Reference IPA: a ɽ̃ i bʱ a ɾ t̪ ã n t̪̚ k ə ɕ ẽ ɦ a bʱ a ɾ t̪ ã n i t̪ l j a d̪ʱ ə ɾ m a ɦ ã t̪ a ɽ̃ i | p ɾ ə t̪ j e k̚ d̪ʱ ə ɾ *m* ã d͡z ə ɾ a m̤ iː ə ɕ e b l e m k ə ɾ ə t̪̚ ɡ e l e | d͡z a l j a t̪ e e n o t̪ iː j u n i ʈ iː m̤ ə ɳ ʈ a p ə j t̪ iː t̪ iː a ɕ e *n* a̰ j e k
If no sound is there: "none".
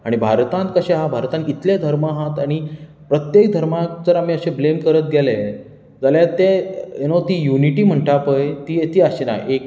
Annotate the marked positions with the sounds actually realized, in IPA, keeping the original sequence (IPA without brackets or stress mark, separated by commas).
m, n